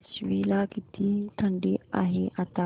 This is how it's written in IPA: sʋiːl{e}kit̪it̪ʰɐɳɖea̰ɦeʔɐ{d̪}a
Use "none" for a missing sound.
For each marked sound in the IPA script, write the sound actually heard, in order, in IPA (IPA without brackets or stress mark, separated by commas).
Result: a, t̪